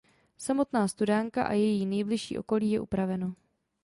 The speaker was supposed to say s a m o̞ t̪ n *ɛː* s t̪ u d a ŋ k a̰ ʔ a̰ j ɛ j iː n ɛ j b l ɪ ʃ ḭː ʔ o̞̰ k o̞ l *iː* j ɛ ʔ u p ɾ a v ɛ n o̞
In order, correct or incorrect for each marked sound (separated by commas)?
incorrect, correct